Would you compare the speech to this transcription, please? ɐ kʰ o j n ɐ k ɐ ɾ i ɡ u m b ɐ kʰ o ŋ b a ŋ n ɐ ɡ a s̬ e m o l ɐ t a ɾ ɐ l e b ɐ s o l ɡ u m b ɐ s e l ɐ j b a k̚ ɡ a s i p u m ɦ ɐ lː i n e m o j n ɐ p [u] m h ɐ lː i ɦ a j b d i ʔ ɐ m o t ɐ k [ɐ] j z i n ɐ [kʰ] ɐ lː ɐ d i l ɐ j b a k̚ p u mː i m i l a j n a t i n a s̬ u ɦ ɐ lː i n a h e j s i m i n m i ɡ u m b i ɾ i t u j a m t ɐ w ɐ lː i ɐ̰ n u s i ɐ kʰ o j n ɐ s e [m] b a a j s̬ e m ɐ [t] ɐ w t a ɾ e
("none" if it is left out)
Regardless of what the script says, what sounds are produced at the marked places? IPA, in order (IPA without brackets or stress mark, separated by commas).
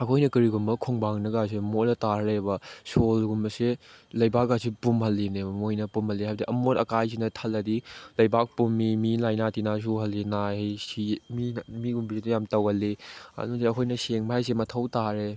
u, a, tʰ, ŋ, tʰ